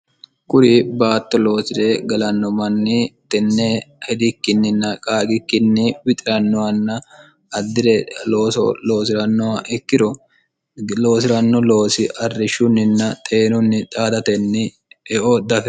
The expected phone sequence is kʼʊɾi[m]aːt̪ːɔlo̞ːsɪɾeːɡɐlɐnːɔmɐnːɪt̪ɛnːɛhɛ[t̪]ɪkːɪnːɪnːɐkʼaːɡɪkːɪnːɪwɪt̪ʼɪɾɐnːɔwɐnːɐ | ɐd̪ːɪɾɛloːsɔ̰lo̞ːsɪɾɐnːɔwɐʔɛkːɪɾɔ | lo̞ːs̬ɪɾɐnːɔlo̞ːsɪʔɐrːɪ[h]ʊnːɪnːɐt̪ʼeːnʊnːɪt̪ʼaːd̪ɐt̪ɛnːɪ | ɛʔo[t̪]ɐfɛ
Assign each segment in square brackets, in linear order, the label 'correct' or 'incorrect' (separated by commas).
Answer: incorrect, incorrect, incorrect, incorrect